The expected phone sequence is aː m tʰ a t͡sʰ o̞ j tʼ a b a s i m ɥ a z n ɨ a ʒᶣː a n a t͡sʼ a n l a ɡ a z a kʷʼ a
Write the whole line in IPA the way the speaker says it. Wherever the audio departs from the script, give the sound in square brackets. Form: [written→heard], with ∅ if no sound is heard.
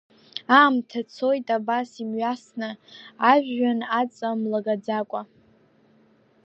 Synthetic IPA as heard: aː m tʰ a t͡sʰ o̞ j tʼ a b a s i m ɥ a [z→s] n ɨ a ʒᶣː a n a t͡sʼ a [n→m] l a ɡ a [z→d͡z] a kʷʼ a